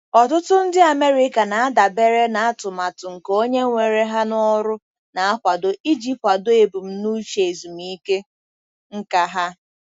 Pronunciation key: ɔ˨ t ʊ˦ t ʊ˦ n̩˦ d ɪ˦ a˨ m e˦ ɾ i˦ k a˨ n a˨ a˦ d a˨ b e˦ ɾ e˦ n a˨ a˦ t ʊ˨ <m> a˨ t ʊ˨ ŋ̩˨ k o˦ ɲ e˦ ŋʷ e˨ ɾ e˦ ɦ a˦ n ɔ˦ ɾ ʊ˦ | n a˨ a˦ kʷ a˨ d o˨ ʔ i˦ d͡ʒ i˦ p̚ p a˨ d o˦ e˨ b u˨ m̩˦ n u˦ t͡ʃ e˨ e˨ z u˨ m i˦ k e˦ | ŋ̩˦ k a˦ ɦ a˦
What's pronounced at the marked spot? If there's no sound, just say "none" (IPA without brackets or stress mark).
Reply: m